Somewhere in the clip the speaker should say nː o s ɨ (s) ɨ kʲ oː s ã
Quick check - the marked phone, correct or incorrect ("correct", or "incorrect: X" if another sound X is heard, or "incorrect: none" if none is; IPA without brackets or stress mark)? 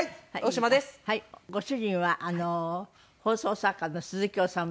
incorrect: z